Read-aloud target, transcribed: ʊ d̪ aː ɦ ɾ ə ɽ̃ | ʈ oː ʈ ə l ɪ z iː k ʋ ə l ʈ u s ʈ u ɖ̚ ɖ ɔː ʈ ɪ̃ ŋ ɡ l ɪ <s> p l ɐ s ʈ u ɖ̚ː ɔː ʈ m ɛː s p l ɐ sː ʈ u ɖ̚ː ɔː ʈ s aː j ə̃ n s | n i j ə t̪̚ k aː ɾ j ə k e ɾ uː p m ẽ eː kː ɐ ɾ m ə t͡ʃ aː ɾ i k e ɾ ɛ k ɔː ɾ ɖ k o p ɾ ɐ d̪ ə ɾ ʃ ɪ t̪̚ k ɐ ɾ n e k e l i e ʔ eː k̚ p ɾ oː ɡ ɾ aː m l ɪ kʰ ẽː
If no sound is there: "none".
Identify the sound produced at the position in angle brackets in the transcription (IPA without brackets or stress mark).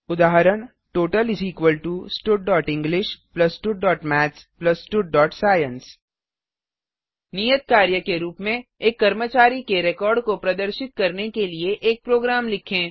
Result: ʃ